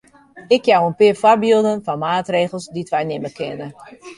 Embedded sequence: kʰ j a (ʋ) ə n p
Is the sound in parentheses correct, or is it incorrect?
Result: incorrect